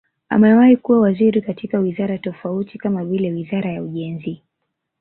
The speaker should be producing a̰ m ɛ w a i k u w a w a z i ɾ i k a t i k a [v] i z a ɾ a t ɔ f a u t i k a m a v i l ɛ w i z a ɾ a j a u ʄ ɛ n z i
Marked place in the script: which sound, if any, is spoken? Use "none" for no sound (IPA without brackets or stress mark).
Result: w